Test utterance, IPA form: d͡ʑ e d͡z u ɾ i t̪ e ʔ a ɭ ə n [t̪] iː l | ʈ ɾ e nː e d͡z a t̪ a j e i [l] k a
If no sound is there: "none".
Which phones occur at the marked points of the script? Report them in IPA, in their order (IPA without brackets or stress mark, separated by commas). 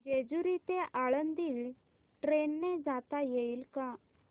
d̪, l